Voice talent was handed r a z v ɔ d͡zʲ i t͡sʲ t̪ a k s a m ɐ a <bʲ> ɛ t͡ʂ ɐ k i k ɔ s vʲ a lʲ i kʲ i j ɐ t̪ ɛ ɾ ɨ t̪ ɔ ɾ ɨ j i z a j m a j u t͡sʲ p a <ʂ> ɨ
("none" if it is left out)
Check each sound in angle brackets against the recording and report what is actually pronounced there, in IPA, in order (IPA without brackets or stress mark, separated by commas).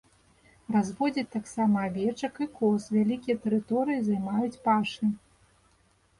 vʲ, ʂ